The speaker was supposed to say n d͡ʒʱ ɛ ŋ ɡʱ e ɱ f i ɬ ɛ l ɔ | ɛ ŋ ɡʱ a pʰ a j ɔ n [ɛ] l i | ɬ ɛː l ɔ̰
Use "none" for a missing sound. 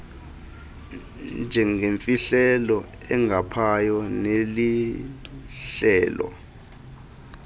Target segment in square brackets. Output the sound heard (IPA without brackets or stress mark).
e